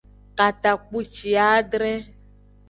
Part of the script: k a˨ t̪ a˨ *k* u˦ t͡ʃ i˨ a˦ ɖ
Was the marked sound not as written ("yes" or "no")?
yes